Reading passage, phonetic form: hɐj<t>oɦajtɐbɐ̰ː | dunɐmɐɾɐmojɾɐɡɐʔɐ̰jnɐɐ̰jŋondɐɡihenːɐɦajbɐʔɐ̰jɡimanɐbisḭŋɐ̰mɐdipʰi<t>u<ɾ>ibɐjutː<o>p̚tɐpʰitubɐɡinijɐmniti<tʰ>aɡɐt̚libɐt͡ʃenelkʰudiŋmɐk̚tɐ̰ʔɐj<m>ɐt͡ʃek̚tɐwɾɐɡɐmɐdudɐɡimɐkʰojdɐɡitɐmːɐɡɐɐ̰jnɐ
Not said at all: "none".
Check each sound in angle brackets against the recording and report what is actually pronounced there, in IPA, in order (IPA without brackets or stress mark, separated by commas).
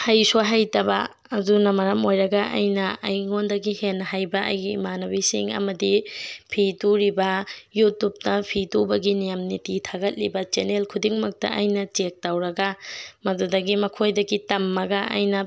s, t, ɾ, u, tʰ, n